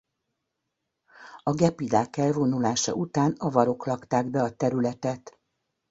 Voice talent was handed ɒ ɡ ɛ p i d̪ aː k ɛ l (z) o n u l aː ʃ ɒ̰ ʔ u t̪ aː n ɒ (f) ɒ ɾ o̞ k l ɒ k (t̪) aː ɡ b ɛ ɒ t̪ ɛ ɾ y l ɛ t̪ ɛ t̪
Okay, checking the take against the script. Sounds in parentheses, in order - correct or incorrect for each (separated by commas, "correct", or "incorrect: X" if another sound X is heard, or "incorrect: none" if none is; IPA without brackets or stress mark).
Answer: incorrect: v, incorrect: v, correct